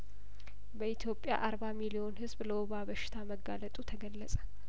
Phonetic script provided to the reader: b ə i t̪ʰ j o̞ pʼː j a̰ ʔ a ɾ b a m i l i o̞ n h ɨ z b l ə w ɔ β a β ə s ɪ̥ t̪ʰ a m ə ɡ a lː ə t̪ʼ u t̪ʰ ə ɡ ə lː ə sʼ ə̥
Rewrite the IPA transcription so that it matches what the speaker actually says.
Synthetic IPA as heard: b ə i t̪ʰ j o̞ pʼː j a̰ ʔ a ɾ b a m i l i o̞ n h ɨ z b l ə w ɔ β a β ə ʃ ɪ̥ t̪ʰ a m ə ɡ a l ə t̪ʼ u t̪ʰ ə ɡ ə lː ə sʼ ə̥